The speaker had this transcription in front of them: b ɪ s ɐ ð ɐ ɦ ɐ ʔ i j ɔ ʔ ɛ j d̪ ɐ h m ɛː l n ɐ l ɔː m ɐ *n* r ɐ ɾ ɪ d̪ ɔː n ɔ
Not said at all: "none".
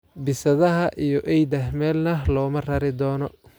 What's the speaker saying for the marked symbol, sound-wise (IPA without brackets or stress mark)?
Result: none